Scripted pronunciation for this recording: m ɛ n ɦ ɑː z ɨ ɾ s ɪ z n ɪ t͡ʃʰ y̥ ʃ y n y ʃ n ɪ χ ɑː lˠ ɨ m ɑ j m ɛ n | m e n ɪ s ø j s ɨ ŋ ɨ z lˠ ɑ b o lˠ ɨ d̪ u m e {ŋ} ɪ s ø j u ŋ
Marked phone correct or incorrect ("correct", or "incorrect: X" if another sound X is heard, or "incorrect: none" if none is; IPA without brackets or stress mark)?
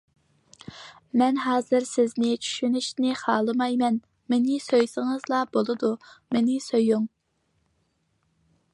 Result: incorrect: n